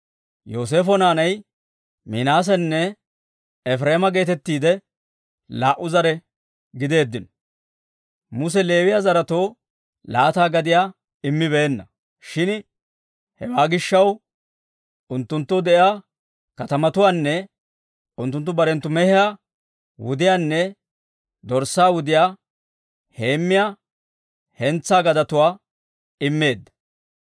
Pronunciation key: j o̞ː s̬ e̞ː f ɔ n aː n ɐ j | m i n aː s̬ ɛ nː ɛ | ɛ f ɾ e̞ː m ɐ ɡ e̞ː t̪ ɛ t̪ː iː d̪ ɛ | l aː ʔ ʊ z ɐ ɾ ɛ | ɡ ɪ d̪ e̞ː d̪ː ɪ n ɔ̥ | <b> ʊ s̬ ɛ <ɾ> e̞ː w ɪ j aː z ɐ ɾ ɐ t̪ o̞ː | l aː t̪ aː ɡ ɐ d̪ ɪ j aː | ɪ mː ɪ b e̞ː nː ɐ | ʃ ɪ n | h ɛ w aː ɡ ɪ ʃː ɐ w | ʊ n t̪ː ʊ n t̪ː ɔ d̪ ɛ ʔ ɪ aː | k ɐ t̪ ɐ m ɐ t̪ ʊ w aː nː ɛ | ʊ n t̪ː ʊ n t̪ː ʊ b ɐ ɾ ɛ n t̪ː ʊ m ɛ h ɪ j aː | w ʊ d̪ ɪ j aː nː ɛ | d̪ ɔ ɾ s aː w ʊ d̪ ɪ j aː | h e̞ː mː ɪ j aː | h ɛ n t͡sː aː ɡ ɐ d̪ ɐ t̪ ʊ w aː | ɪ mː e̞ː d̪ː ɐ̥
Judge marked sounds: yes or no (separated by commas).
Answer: no, no